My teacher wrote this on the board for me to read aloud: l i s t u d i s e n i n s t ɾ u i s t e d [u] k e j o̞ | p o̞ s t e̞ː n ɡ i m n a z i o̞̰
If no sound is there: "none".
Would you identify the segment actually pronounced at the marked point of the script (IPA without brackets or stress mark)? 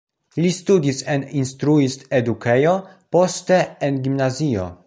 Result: u